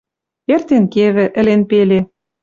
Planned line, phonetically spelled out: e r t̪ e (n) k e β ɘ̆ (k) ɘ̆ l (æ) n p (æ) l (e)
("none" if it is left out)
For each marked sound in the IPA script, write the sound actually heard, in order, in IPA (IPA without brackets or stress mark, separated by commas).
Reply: n, ʔ, e, e, e